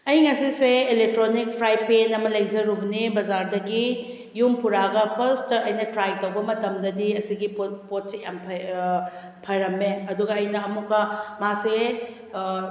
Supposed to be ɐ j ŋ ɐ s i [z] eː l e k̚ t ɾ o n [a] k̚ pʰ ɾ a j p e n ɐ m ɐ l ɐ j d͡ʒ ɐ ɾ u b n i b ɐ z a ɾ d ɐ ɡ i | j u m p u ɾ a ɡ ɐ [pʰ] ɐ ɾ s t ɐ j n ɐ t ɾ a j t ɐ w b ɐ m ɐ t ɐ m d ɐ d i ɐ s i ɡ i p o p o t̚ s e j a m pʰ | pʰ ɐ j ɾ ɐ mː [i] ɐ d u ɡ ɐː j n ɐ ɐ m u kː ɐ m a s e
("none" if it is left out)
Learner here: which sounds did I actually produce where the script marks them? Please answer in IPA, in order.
s, i, pʰ, e

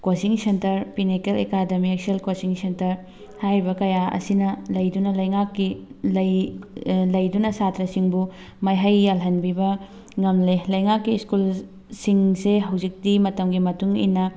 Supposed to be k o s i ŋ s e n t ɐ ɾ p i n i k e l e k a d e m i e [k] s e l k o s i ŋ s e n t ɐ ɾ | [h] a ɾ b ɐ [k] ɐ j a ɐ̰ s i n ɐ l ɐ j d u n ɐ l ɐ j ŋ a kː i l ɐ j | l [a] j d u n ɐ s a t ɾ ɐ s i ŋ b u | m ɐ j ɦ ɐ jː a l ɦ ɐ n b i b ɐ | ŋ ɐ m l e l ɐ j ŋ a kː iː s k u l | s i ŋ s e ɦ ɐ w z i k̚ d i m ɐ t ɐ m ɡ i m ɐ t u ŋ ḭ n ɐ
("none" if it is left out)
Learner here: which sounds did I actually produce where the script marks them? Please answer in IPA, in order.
k, h, k, ɐ

